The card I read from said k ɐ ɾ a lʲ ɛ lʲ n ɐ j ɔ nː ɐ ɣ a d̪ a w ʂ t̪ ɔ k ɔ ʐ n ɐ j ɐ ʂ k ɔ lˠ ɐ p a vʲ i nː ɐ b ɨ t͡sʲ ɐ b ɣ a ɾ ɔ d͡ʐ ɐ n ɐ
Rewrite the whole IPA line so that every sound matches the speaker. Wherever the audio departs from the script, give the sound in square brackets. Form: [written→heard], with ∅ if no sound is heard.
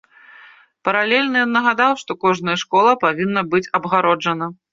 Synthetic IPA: [k→p] ɐ ɾ a lʲ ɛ lʲ n ɐ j ɔ nː ɐ ɣ a d̪ a w ʂ t̪ ɔ k ɔ ʐ n ɐ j ɐ ʂ k ɔ lˠ ɐ p a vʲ i nː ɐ b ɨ t͡sʲ ɐ b ɣ a ɾ ɔ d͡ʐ ɐ n ɐ